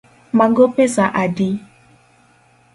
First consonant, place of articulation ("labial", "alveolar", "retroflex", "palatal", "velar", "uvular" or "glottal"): labial